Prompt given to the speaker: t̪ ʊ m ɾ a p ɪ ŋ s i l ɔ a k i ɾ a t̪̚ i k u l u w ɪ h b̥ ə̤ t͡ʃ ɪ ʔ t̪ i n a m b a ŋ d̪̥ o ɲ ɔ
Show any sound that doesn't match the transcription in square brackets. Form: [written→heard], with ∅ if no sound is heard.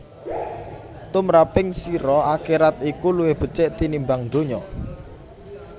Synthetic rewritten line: t̪ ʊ m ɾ a p ɪ ŋ s i [l→ɾ] ɔ a k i ɾ a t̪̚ i k u l u w ɪ h b̥ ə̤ t͡ʃ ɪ ʔ t̪ i n [a→i] m b a ŋ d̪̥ o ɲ ɔ